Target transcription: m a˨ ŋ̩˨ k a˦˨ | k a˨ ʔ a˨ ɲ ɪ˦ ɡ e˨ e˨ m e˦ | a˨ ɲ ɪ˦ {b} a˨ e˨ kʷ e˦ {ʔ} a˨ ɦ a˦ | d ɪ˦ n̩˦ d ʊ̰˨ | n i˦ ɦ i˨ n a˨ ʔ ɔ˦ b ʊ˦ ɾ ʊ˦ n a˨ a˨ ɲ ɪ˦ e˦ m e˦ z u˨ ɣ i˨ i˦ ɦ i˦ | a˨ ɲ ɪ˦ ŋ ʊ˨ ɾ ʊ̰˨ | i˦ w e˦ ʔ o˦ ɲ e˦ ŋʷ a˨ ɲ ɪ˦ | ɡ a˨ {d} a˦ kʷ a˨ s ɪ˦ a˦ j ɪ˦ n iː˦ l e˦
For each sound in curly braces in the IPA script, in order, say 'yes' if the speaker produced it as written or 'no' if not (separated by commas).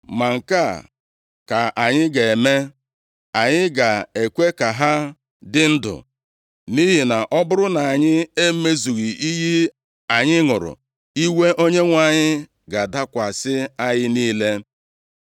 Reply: no, no, yes